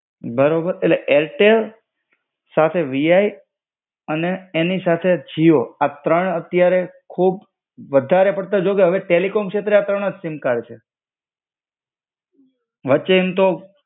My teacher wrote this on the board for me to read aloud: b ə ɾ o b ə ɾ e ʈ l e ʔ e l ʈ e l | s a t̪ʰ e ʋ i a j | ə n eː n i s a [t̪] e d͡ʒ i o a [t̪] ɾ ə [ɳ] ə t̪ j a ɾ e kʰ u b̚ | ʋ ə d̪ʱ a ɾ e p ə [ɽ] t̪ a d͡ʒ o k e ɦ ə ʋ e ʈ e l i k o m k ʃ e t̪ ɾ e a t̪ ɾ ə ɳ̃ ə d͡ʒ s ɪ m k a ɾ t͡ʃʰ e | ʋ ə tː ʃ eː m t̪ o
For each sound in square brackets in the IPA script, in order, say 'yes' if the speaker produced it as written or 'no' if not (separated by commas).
no, yes, yes, yes